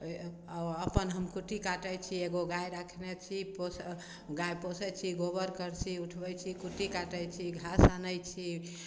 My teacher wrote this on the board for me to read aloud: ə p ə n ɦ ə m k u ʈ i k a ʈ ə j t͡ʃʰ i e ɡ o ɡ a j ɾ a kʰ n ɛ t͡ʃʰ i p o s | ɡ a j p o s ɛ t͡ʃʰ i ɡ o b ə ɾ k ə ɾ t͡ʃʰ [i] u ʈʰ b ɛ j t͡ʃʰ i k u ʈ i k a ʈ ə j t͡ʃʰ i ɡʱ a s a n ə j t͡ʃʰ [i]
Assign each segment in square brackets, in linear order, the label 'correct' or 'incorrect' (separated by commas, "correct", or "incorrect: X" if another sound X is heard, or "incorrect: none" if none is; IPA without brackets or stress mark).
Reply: correct, correct